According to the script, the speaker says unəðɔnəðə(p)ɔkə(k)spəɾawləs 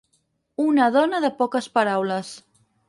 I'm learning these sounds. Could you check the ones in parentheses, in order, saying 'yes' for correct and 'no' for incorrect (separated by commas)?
yes, no